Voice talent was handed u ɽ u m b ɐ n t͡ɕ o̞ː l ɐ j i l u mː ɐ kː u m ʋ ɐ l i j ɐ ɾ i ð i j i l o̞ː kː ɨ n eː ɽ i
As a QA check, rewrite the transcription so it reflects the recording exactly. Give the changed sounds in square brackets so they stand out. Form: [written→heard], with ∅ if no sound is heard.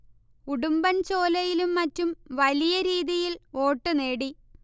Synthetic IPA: u ɽ u m b ɐ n t͡ɕ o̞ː l ɐ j i l u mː ɐ [kː→tː] u m ʋ ɐ l i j ɐ ɾ [i→iː] ð i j i l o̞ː [kː→ʈː] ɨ n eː ɽ i